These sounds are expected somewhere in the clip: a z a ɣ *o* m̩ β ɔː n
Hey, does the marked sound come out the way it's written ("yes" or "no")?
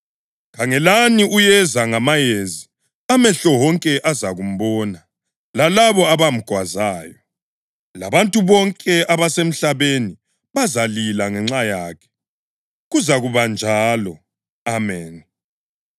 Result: no